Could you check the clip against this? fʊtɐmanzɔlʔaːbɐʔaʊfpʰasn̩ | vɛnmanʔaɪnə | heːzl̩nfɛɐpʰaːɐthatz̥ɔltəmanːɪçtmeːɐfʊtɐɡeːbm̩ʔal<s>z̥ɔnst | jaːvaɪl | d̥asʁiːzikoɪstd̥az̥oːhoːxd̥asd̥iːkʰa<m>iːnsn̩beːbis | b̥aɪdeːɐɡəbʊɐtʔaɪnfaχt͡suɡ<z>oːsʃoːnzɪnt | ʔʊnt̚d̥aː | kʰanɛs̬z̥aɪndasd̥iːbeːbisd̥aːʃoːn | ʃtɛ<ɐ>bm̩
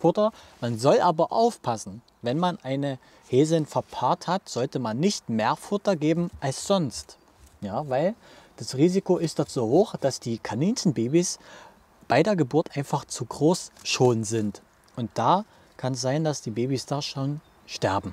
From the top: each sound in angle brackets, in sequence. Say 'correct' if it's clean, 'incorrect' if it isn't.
correct, incorrect, incorrect, correct

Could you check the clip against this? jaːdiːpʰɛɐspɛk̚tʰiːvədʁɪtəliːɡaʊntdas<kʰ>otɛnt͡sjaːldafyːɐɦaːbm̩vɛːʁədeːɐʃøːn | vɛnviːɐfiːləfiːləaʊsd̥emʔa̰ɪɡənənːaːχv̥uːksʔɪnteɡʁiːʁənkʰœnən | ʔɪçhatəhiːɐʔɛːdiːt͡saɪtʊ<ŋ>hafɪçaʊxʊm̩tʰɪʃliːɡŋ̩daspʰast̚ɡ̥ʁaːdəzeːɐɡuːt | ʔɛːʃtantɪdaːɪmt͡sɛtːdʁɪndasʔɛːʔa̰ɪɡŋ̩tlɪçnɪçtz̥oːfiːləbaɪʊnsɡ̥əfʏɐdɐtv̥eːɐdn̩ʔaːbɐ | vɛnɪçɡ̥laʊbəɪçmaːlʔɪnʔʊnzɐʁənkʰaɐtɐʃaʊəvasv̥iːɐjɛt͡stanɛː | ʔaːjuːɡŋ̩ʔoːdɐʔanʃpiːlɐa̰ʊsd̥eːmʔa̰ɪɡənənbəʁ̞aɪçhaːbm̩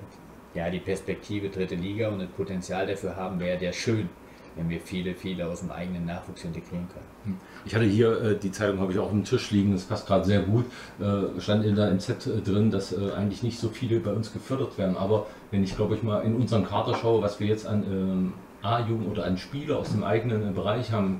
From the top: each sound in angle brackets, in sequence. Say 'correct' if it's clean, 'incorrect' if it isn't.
incorrect, correct

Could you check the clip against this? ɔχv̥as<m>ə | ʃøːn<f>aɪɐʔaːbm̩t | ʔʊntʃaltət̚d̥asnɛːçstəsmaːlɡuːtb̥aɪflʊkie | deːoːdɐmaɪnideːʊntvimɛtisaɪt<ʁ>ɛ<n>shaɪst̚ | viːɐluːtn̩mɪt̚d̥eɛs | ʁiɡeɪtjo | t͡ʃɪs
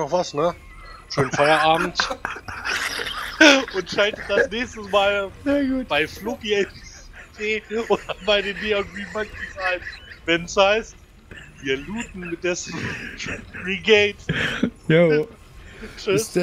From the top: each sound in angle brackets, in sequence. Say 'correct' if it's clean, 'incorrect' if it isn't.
incorrect, correct, incorrect, correct

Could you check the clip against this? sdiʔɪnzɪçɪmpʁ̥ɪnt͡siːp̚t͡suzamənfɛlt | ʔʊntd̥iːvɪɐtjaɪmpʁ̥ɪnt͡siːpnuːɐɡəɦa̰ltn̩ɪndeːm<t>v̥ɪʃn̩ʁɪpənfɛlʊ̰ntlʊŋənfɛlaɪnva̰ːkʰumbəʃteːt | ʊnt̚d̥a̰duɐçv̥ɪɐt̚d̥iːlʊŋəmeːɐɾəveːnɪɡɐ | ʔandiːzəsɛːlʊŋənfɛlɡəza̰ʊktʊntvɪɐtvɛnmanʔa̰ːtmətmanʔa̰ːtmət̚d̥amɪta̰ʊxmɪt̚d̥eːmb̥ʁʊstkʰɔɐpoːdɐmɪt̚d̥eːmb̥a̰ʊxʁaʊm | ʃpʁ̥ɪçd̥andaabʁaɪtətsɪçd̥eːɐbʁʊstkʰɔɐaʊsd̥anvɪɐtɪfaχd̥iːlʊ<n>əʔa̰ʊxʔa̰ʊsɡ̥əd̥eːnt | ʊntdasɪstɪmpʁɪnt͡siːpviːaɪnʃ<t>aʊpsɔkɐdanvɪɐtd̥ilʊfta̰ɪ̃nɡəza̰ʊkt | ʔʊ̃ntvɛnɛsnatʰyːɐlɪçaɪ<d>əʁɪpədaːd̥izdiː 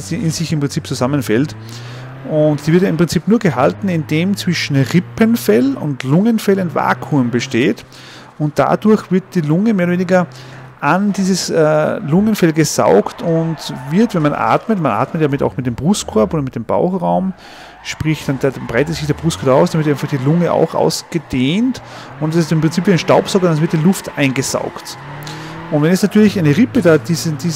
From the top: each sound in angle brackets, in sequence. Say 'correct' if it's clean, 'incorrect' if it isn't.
incorrect, incorrect, correct, incorrect

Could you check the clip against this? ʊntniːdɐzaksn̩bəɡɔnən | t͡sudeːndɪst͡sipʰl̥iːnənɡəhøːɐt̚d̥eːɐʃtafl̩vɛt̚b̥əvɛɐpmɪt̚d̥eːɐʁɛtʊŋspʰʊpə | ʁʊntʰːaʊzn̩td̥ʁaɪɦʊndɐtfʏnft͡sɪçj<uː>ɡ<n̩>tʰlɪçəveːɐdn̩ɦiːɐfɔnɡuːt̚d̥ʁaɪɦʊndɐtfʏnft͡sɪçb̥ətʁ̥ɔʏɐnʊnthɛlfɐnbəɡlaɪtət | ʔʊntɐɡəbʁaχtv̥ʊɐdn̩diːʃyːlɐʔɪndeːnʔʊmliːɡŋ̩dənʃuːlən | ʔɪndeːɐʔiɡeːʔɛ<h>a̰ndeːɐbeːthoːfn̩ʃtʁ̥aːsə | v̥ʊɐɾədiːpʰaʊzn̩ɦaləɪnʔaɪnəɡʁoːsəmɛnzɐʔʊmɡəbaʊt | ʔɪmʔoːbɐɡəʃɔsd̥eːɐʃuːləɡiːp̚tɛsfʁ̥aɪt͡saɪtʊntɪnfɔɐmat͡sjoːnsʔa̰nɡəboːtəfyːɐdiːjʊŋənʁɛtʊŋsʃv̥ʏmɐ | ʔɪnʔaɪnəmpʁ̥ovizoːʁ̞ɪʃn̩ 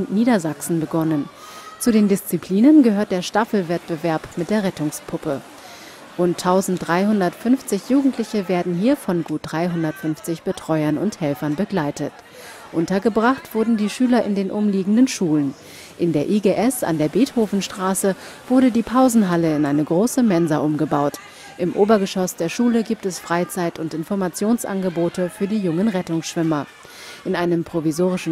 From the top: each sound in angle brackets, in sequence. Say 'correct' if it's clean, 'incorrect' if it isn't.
correct, incorrect, incorrect

